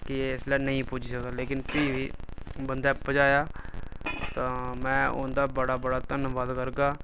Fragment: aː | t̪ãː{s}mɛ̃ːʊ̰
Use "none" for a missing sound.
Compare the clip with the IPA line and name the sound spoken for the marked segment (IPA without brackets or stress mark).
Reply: none